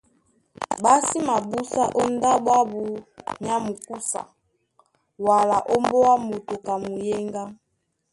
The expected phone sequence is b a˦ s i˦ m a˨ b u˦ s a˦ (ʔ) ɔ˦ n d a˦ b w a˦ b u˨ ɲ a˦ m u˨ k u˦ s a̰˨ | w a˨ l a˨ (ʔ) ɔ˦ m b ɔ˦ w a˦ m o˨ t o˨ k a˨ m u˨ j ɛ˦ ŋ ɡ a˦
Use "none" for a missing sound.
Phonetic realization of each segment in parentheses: ʔ, ʔ

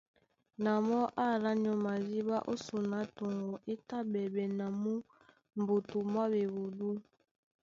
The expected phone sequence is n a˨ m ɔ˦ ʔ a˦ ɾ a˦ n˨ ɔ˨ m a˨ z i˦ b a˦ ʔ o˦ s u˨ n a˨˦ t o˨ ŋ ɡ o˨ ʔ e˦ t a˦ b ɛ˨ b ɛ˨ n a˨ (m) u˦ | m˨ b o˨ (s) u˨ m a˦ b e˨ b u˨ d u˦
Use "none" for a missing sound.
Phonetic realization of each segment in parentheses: m, t

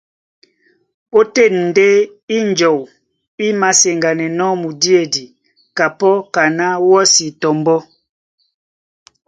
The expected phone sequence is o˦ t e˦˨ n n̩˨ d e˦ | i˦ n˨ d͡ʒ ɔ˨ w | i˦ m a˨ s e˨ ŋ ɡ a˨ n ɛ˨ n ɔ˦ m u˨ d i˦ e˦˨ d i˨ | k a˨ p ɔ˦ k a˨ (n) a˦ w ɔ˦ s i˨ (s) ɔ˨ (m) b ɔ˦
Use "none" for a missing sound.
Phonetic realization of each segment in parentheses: n, t, m

